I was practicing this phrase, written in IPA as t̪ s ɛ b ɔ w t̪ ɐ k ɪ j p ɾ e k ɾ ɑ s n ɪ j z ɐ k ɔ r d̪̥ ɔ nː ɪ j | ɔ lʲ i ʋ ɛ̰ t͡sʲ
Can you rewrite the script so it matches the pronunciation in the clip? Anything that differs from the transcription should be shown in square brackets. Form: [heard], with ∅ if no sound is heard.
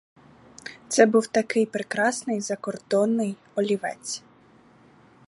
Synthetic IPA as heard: t̪ s ɛ b [u] w t̪ ɐ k ɪ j p ɾ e k ɾ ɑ s n ɪ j z ɐ k ɔ r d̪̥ ɔ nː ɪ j | ɔ lʲ i ʋ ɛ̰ t͡sʲ